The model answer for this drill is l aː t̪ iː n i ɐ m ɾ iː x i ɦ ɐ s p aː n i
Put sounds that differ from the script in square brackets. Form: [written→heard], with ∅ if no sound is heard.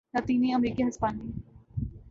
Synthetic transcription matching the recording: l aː t̪ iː n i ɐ m ɾ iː [x→k] i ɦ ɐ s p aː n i